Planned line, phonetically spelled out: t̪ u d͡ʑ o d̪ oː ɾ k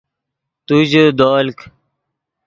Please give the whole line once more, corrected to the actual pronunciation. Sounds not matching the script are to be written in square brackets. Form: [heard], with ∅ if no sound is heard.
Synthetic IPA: t̪ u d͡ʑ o d̪ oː [l] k